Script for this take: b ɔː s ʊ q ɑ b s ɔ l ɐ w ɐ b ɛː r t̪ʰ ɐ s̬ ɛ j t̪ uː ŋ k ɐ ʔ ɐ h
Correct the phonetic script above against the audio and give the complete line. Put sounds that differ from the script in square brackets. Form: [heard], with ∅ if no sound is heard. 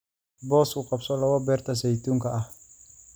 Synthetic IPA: b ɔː s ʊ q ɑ b s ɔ l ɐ w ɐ b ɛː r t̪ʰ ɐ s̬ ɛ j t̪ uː ŋ k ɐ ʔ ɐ h